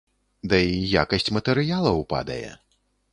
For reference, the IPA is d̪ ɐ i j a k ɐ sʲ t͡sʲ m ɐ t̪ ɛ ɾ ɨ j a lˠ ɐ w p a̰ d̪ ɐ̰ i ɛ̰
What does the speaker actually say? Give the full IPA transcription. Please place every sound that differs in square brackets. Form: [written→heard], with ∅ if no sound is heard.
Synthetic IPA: d̪ ɐ i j a k ɐ sʲ t͡sʲ m ɐ t̪ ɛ ɾ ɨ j a lˠ ɐ w p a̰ d̪ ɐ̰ [i→j] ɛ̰